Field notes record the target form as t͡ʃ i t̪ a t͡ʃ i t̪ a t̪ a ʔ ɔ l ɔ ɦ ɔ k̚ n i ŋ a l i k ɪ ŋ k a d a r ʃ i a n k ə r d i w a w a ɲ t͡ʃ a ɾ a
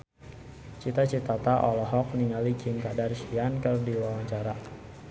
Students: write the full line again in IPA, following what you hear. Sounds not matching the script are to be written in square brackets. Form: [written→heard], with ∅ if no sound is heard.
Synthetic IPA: t͡ʃ i t̪ a t͡ʃ i t̪ a t̪ a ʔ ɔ l ɔ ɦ ɔ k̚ n i ŋ a l i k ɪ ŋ k a d a r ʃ i a n k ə r d i w a w a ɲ t͡ʃ a ɾ a